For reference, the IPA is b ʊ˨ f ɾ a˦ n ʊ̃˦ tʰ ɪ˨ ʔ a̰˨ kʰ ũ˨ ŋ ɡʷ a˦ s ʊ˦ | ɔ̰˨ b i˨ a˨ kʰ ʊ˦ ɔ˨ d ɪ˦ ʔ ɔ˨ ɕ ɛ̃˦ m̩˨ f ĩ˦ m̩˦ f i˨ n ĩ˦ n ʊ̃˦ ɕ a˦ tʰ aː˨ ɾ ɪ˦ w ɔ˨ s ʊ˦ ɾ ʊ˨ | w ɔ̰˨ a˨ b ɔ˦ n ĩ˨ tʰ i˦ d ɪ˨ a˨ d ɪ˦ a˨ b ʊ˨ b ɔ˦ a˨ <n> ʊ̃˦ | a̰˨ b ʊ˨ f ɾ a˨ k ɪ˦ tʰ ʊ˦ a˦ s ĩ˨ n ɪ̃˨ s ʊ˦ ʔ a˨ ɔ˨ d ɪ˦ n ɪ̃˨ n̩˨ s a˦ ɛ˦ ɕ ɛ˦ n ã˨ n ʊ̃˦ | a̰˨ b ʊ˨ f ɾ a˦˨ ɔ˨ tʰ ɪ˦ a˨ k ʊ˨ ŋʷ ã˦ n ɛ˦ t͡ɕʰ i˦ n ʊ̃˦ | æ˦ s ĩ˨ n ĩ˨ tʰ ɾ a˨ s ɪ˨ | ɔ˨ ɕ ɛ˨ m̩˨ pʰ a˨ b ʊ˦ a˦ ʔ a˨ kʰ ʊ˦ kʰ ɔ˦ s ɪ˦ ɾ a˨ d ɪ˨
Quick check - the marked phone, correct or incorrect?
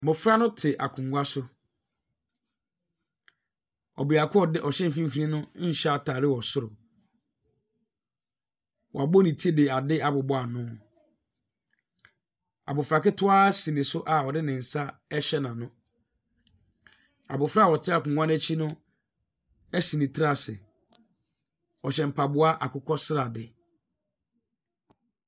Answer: correct